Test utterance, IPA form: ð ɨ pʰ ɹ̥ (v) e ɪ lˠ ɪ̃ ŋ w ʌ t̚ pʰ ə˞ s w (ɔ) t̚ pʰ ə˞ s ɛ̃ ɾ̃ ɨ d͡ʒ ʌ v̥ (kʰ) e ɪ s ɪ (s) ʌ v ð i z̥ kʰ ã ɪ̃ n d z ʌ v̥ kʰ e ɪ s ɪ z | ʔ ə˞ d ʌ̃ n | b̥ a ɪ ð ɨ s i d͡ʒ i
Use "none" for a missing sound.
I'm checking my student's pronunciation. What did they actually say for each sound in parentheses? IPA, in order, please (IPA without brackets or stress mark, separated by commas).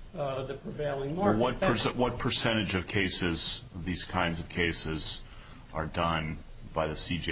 v, ʌ, kʰ, z